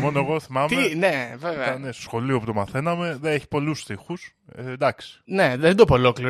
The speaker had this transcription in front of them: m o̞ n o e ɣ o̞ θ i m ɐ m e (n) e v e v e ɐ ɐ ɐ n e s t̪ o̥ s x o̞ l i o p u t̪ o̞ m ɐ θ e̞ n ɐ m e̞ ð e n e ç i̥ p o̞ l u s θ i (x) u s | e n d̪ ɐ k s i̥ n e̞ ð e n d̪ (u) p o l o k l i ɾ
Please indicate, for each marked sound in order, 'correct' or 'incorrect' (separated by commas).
correct, correct, incorrect